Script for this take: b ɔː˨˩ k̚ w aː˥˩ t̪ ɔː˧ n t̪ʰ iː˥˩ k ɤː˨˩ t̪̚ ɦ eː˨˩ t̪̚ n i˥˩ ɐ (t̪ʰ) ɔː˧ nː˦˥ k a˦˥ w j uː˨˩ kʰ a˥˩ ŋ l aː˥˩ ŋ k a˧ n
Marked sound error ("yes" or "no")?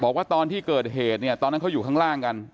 yes